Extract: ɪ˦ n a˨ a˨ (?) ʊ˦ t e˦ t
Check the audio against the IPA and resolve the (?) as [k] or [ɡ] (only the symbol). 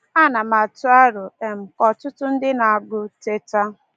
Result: ɡ